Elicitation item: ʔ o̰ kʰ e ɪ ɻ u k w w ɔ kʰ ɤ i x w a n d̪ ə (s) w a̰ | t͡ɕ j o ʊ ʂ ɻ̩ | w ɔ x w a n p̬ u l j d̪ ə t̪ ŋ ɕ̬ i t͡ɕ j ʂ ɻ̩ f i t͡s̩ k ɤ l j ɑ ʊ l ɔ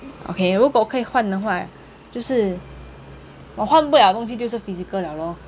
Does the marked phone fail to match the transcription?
yes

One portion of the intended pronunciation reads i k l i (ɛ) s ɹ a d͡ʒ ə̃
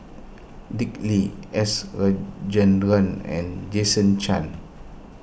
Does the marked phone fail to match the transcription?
no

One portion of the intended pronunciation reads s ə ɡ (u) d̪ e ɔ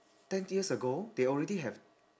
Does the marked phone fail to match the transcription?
yes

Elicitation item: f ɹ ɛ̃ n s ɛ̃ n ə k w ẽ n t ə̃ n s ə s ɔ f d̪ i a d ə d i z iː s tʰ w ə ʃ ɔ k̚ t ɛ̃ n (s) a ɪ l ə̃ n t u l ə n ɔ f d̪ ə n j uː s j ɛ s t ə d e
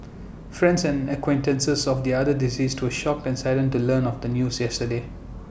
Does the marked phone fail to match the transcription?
no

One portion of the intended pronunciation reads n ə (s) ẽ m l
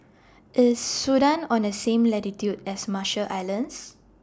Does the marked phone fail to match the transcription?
no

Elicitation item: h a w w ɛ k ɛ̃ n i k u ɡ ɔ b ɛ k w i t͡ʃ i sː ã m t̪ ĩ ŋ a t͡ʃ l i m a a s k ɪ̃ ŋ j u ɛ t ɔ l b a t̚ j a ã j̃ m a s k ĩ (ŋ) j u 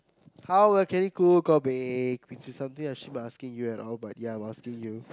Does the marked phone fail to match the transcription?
no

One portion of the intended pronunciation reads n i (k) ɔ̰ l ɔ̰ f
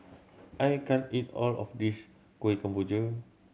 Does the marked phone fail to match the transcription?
yes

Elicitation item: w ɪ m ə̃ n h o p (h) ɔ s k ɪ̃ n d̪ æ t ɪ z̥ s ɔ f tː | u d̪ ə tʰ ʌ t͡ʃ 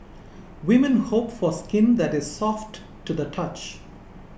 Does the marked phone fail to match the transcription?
yes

